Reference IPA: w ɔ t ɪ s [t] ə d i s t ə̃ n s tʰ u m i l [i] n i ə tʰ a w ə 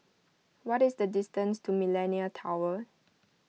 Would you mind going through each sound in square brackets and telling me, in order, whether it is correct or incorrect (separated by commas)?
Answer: incorrect, incorrect